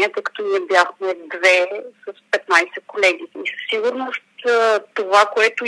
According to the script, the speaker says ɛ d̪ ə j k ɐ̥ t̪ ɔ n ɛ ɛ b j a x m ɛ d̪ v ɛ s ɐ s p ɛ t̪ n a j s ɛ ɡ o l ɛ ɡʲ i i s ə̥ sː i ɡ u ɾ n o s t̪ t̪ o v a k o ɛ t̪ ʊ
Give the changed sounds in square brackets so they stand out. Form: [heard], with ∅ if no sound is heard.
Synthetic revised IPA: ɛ [t̪] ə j k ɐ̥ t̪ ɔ n [i] ɛ b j a x m ɛ d̪ v ɛ s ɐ s p ɛ t̪ n a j s ɛ [k] o l ɛ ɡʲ i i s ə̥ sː i ɡ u ɾ n o s t̪ t̪ o v a k o ɛ t̪ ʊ